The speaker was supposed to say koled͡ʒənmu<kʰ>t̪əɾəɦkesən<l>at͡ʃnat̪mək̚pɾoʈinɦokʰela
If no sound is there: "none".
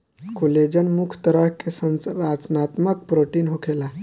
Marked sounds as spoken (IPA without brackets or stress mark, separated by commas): kʰ, ɾ